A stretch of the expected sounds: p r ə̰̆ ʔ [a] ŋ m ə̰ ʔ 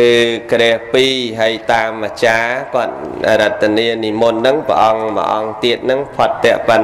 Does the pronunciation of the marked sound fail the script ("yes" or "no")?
yes